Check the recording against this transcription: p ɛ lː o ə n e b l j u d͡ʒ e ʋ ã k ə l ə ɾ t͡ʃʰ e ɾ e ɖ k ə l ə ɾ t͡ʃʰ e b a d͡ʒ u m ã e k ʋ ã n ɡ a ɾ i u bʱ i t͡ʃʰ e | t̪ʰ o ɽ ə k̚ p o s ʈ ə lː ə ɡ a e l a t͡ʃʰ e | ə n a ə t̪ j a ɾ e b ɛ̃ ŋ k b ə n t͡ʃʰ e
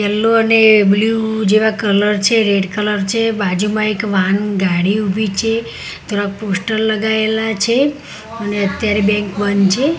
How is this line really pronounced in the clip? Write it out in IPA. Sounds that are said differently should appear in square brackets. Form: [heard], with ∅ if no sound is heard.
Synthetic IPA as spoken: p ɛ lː o ə n e b l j u d͡ʒ e ʋ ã k ə l ə ɾ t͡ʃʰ e ɾ e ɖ k ə l ə ɾ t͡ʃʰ e b a d͡ʒ u m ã e k ʋ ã n ɡ a [ɽ] i u bʱ i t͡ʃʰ e | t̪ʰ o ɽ [a] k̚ p o s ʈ ə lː ə ɡ a e l a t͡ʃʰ e | ə n [e] ə t̪ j a ɾ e b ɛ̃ ŋ k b ə n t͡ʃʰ e